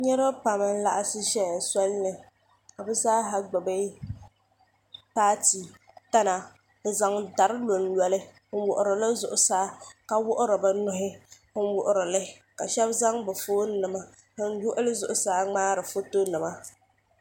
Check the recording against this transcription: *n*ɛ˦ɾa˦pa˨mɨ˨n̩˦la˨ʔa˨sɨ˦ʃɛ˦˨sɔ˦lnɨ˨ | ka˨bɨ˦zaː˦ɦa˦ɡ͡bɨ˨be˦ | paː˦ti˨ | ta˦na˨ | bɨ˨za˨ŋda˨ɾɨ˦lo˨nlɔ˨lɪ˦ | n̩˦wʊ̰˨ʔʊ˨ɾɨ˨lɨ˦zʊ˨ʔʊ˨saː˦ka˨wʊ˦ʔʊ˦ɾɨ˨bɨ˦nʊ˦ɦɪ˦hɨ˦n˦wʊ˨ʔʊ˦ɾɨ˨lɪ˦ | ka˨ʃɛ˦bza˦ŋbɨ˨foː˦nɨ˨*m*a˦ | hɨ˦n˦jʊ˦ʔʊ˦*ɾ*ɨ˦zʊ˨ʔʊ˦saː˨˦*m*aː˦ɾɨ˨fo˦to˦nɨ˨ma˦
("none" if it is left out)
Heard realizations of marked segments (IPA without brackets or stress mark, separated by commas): ɲ, m, l, ŋ͡m